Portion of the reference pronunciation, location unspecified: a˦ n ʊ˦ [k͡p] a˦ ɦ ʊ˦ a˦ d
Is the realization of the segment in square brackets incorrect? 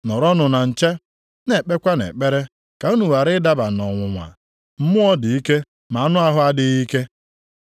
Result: yes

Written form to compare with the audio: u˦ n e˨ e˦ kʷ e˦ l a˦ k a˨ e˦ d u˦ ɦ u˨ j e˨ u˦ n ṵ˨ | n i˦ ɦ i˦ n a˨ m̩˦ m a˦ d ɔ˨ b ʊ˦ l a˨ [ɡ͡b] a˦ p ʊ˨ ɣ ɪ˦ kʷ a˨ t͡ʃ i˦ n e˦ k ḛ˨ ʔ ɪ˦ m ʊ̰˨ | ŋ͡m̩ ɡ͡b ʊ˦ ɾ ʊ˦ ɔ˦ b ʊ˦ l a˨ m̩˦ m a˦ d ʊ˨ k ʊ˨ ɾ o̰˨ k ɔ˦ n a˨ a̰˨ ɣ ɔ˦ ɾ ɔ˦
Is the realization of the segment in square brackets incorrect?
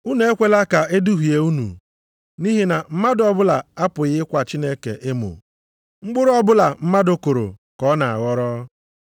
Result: yes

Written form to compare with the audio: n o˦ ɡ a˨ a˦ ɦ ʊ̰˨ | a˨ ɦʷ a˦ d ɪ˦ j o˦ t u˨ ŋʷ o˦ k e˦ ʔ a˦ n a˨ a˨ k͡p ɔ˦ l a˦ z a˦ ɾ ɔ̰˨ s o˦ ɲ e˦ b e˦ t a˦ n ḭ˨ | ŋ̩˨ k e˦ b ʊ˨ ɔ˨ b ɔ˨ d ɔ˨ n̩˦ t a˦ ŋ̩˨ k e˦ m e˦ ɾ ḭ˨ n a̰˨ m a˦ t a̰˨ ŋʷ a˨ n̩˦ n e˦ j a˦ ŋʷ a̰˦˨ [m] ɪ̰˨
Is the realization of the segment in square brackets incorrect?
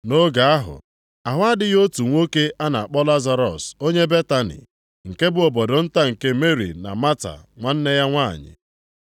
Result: yes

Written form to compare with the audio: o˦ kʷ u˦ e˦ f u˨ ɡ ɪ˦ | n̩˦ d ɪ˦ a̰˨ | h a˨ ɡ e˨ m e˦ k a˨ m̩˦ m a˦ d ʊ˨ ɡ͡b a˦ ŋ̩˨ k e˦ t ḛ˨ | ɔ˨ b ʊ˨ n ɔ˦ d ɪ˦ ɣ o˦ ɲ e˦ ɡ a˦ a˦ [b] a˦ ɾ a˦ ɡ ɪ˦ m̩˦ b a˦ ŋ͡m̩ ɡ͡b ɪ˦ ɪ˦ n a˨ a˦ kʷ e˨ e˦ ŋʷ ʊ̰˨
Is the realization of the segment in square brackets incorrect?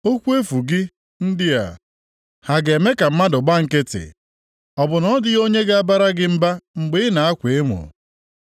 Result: no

